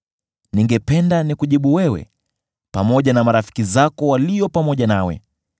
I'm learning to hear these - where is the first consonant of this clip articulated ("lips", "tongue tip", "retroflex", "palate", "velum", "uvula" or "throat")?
tongue tip